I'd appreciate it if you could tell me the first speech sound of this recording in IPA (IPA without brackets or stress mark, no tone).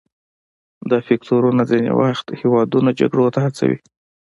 d̪